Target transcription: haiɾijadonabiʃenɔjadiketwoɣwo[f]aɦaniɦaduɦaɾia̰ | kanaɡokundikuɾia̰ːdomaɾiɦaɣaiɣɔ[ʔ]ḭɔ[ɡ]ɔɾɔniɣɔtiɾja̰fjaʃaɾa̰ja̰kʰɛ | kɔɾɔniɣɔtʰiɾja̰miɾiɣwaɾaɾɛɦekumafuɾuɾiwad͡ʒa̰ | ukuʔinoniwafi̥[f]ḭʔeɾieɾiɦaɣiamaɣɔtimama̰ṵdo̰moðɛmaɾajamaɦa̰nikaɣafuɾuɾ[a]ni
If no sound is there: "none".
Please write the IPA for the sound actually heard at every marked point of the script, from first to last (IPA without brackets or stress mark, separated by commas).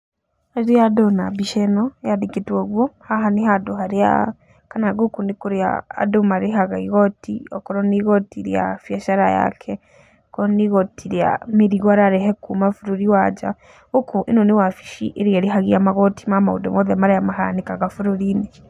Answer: h, t, k, ʃ, i